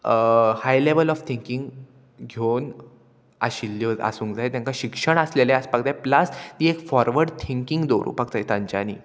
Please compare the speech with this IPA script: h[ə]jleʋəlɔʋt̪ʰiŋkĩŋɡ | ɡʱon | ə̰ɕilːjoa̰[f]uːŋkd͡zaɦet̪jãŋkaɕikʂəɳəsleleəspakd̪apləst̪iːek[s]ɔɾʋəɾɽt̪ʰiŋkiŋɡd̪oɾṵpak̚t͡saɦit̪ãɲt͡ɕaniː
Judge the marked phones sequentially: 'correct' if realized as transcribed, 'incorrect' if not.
incorrect, incorrect, incorrect

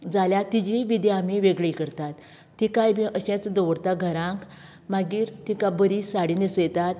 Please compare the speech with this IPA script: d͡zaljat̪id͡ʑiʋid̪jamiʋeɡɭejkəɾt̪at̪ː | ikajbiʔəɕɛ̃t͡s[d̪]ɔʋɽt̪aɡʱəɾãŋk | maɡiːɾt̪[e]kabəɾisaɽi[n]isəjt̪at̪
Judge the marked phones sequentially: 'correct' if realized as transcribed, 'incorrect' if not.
correct, incorrect, correct

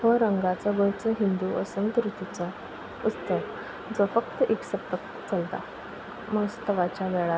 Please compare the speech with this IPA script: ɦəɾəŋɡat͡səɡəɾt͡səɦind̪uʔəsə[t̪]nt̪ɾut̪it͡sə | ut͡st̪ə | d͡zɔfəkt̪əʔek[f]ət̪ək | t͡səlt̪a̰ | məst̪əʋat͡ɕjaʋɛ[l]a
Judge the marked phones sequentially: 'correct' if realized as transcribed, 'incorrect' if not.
incorrect, incorrect, incorrect

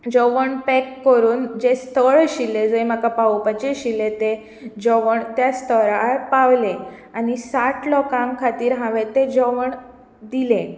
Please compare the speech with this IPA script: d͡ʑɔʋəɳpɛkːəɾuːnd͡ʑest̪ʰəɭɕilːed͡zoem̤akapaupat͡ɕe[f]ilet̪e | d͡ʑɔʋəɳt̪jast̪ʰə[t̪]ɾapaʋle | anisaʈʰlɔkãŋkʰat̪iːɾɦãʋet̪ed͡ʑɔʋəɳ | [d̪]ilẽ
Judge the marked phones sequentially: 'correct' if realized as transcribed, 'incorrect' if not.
incorrect, incorrect, correct

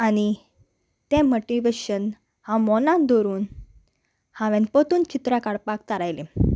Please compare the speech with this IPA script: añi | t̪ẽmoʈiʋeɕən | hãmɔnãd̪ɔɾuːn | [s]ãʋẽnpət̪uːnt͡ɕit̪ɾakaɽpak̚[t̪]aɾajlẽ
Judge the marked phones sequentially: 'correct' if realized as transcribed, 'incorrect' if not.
incorrect, correct

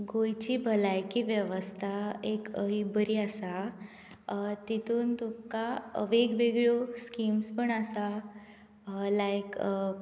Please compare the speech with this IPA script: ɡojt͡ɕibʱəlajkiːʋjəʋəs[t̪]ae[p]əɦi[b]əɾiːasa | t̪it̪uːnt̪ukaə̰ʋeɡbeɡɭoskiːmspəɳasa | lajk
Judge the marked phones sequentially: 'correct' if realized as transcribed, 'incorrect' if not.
incorrect, incorrect, correct

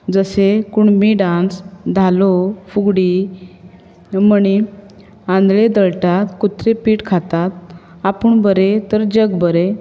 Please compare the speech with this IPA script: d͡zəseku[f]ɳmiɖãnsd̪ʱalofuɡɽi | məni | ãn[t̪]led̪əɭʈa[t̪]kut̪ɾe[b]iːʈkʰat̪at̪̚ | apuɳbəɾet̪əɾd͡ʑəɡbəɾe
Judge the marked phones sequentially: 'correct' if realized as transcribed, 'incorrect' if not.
incorrect, incorrect, correct, incorrect

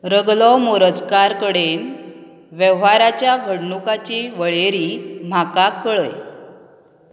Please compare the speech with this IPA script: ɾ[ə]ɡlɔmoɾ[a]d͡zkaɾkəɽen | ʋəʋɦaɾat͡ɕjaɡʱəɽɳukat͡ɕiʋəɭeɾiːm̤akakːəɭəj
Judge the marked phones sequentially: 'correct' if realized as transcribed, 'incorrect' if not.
correct, incorrect

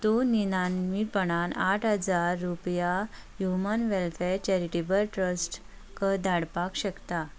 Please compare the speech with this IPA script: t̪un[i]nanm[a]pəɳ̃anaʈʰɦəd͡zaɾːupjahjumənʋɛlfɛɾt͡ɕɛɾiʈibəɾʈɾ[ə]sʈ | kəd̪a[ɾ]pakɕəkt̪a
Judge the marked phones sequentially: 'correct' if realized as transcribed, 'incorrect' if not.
correct, incorrect, correct, incorrect

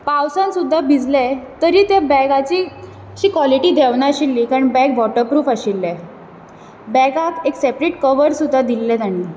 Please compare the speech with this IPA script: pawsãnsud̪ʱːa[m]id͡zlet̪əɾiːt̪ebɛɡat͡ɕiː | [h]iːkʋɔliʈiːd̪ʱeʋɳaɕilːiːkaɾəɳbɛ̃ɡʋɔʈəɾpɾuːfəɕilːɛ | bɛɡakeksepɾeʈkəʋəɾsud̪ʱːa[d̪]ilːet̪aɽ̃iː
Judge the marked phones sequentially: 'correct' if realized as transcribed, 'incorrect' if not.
incorrect, incorrect, correct

